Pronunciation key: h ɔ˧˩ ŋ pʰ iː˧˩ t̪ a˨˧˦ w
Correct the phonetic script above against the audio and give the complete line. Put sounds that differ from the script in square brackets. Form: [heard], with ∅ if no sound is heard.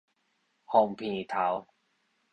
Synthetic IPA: h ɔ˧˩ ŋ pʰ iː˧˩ [t̪ʰ] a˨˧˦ w